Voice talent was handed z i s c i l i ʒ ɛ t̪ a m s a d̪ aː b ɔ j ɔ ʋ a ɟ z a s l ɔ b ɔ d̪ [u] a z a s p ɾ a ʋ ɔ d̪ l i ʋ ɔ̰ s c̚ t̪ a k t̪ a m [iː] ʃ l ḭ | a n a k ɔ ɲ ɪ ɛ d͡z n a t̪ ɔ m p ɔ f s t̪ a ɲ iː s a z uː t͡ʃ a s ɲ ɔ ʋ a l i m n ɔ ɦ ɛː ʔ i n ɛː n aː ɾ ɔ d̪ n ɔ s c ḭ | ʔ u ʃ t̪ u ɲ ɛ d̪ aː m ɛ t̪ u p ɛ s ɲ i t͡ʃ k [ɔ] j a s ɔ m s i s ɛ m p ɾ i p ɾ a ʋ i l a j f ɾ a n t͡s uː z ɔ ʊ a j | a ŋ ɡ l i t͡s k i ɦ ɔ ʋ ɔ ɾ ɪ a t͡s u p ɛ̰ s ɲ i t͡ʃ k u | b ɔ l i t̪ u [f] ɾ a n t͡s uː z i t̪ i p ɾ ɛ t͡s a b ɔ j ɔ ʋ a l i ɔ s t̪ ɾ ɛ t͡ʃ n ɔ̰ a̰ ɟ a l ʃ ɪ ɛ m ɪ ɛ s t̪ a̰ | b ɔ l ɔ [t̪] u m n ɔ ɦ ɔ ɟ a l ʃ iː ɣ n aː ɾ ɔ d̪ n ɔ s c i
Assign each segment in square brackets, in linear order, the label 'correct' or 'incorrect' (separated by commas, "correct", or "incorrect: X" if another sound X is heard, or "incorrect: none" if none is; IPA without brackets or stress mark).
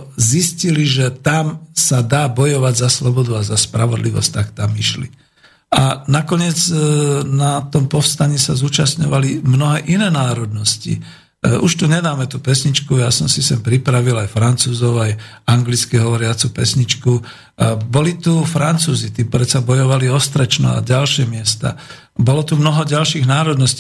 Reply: correct, incorrect: i, incorrect: u, correct, correct